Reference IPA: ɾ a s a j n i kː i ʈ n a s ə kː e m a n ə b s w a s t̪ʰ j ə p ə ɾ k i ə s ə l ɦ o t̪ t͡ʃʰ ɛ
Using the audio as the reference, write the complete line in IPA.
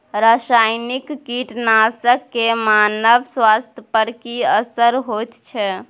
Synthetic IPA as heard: ɾ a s a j n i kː i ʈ n a s ə kː e m a n ə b s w a s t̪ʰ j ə p ə ɾ k i ə s ə ɾ ɦ o t̪ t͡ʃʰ ɛ